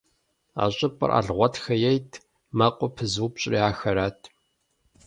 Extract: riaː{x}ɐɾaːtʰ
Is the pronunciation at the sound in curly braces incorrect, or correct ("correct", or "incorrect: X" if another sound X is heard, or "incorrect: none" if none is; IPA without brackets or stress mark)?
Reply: correct